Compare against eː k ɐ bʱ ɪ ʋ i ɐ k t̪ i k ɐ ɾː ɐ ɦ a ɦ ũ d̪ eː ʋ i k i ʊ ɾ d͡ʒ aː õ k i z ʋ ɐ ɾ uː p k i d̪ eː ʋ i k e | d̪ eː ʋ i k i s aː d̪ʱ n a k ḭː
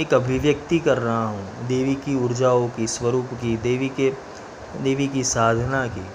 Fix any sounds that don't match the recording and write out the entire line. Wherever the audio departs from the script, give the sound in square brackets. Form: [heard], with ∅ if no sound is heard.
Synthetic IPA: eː k ɐ bʱ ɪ ʋ [j] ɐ k t̪ i k ɐ ɾː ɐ ɦ a ɦ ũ d̪ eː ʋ i k i ʊ ɾ d͡ʒ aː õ k i [s] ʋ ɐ ɾ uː p k i d̪ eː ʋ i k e | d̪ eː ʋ i k i s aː d̪ʱ n a k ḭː